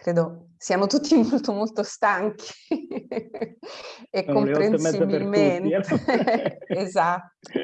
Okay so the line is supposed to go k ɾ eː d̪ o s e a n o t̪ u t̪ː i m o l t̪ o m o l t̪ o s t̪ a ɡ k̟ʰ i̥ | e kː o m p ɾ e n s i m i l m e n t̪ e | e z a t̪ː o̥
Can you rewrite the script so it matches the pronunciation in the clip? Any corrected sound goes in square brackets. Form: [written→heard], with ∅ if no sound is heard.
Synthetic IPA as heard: k ɾ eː d̪ o s [e→i] a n o t̪ u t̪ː i m o l t̪ o m o l t̪ o s t̪ a [ɡ→ŋ] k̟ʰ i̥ | e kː o m p ɾ e n s i [m→b] i l m e n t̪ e | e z a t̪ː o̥